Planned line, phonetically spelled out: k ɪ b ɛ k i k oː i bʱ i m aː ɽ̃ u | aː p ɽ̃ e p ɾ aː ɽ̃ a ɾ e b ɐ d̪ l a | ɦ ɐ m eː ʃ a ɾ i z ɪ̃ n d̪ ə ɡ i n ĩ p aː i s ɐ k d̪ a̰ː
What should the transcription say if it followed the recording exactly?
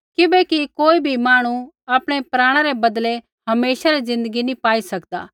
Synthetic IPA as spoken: k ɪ b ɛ k i k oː i bʱ i m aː ɽ̃ u | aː p ɽ̃ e p ɾ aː ɽ̃ a ɾ e b ɐ d̪ l e | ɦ ɐ m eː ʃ a ɾ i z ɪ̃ n d̪ ə ɡ i n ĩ p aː i s ɐ k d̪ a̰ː